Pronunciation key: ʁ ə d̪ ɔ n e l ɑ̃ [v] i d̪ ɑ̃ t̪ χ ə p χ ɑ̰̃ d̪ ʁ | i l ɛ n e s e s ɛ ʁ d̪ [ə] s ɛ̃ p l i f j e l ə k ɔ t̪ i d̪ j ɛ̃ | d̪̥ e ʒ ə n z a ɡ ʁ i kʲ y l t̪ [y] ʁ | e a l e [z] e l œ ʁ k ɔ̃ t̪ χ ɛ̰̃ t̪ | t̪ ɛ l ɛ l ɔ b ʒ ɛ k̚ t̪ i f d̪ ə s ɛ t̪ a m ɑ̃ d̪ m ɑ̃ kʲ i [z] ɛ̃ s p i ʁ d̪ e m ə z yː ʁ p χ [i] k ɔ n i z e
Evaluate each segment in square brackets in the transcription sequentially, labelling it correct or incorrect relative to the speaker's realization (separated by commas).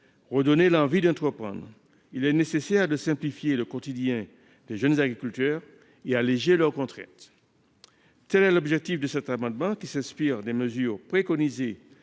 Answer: correct, correct, incorrect, incorrect, incorrect, incorrect